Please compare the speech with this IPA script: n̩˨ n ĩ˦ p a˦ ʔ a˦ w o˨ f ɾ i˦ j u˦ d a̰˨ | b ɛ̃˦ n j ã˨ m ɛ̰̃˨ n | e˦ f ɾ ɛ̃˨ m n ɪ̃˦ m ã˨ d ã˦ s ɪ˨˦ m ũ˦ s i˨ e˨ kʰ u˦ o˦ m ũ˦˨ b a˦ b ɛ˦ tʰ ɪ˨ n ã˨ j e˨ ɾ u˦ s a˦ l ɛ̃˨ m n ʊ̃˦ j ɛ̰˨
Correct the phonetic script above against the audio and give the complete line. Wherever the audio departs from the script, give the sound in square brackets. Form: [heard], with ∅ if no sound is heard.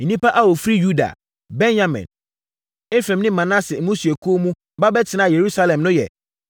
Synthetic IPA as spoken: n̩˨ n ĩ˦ p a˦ ʔ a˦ w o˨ f ɾ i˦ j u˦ d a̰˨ | b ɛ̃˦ n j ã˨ m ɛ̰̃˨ n | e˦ f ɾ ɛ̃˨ m n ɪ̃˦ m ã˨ [n] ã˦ s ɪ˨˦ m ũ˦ s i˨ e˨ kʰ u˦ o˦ m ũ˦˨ b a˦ b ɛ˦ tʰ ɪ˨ n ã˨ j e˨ ɾ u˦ s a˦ l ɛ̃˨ m n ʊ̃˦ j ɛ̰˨